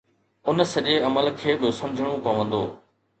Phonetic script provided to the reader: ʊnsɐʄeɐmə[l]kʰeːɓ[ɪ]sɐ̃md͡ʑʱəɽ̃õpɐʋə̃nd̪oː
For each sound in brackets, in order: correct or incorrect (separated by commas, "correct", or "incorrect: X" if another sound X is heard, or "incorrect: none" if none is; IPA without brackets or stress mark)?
correct, correct